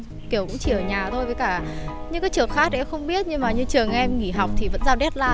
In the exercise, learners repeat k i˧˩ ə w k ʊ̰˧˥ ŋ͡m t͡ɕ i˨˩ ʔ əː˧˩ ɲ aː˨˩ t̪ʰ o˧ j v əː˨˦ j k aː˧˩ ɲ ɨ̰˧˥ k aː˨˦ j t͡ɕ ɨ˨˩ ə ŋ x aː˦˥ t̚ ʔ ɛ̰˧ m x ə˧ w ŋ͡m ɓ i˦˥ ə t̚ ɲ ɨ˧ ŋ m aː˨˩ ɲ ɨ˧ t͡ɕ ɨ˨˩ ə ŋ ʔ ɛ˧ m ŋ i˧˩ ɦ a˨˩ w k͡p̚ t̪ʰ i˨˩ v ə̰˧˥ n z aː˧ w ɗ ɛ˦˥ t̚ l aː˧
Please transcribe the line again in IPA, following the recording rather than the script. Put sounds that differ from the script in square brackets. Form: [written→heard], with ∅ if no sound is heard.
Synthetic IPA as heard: k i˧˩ ə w k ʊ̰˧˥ ŋ͡m t͡ɕ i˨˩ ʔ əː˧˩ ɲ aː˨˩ t̪ʰ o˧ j v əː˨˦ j k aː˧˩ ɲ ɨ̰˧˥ k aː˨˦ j t͡ɕ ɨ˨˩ ə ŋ x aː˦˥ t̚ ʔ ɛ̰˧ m x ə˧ w ŋ͡m ɓ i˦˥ ə t̚ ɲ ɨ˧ ŋ m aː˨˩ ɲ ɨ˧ t͡ɕ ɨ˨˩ ə ŋ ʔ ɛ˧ m ŋ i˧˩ ɦ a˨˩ w k͡p̚ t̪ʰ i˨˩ v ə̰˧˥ n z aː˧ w ɗ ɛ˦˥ t̚ l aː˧